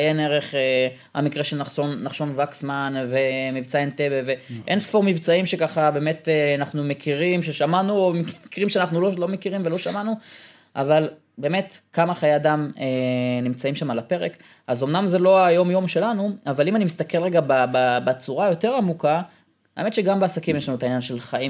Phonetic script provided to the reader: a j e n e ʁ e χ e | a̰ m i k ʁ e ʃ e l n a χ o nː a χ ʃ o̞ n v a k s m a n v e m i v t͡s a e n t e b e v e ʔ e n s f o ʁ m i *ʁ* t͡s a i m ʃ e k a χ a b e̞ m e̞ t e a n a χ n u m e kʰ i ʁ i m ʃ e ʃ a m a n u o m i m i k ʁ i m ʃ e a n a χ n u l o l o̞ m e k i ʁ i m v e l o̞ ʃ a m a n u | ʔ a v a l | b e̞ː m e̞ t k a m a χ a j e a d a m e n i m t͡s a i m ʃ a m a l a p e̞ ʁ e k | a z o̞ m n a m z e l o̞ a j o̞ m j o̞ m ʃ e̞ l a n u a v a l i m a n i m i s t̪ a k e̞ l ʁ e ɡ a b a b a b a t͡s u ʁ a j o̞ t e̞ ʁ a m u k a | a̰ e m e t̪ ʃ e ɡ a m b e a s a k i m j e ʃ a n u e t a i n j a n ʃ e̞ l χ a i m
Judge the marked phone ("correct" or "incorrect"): incorrect